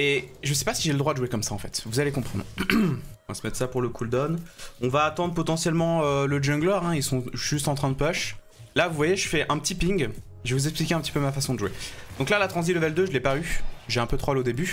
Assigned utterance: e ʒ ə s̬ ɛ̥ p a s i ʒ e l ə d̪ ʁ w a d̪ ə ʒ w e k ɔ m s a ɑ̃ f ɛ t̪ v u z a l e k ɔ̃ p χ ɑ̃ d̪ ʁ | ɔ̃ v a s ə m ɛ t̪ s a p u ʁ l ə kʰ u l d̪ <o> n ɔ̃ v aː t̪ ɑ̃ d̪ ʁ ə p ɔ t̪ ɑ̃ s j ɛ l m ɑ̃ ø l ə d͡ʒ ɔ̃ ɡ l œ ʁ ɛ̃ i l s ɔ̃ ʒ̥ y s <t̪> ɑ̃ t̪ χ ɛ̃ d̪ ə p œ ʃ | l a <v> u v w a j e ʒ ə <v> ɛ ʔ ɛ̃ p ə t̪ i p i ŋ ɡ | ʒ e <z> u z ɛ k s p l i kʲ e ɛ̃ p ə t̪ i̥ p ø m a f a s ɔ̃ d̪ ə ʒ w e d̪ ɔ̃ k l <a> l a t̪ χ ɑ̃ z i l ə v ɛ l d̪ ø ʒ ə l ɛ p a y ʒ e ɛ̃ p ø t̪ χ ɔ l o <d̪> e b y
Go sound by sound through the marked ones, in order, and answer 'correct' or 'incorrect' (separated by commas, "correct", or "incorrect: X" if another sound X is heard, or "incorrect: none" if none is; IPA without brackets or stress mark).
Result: incorrect: ɔ, correct, correct, incorrect: f, incorrect: v, correct, correct